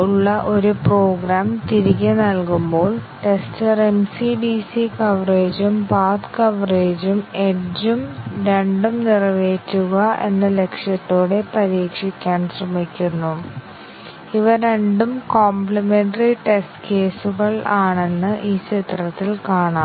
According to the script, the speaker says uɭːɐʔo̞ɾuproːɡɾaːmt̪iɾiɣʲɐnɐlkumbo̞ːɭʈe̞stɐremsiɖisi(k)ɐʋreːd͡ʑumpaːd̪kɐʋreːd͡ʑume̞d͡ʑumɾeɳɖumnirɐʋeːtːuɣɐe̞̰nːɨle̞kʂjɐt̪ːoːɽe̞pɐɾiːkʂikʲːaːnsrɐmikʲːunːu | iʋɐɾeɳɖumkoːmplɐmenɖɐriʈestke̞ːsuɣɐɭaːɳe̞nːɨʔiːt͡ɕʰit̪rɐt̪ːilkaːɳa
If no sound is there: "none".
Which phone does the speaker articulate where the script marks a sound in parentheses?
k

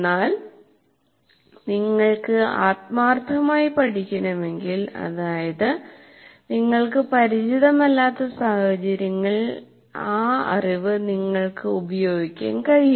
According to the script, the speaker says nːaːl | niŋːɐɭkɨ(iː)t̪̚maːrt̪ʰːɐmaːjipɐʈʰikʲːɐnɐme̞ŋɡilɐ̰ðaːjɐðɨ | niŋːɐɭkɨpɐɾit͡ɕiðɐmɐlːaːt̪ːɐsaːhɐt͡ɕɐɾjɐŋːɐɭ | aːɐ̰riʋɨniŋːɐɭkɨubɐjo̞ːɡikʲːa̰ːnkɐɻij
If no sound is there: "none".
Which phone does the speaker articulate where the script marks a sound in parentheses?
aː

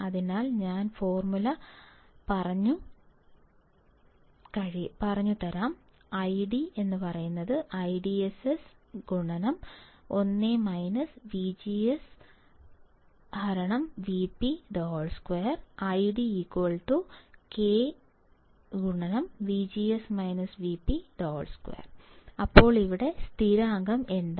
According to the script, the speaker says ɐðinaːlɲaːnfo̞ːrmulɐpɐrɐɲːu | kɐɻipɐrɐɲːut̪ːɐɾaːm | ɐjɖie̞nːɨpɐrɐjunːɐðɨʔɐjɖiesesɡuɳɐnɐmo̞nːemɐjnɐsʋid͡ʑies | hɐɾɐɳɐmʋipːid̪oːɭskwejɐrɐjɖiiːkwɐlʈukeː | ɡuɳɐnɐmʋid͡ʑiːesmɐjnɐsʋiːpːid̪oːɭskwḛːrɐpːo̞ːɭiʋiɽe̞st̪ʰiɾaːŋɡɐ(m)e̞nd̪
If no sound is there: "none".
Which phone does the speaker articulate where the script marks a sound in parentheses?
m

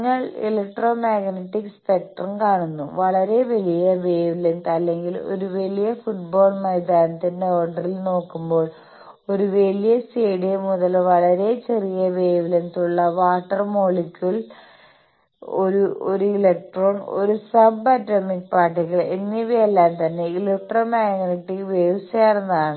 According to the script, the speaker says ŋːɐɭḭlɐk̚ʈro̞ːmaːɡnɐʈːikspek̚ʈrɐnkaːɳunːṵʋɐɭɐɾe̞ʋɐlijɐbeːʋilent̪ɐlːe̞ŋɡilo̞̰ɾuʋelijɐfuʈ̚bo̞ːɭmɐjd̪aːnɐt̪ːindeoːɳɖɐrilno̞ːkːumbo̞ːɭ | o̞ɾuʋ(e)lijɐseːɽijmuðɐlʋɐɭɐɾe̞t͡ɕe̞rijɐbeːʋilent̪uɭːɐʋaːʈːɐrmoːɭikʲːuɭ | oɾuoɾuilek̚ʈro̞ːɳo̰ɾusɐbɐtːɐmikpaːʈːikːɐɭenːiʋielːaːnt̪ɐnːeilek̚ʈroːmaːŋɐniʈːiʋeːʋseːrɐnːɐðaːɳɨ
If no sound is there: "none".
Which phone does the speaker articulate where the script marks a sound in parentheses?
e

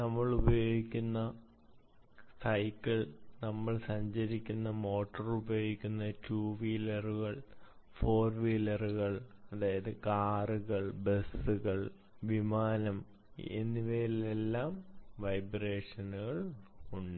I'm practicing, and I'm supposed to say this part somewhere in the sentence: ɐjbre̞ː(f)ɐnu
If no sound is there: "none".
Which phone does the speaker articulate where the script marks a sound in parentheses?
ʂ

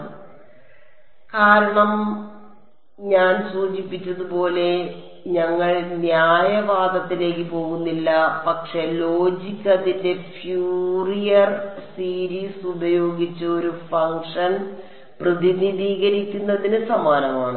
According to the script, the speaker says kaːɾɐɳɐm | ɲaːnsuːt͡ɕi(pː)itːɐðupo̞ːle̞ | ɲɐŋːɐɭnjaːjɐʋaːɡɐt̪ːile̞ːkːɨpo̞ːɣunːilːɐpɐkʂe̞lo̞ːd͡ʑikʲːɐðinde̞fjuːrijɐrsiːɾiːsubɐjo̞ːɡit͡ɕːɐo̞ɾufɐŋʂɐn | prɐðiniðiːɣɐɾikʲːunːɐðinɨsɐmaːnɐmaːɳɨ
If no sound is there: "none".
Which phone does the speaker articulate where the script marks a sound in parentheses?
pː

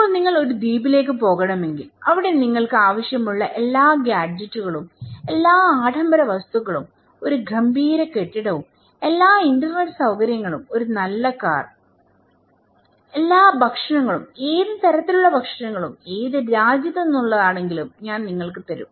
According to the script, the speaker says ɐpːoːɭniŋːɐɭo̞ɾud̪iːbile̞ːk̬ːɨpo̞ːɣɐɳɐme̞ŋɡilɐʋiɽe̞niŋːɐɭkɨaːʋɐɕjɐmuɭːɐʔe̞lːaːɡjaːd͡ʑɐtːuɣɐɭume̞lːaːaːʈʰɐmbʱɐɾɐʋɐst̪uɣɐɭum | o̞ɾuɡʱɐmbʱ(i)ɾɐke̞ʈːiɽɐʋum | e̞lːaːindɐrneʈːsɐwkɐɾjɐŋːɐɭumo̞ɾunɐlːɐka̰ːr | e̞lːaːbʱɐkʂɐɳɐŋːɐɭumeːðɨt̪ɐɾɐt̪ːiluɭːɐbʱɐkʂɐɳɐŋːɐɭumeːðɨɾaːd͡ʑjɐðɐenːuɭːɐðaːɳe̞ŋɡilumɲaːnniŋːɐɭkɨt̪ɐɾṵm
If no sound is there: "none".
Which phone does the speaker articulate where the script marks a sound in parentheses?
iː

